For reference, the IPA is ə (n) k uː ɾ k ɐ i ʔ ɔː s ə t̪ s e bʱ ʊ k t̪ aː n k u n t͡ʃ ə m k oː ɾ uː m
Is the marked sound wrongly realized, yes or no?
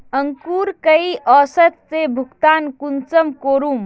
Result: yes